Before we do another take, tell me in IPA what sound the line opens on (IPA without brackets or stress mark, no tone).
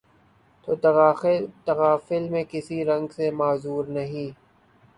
t̪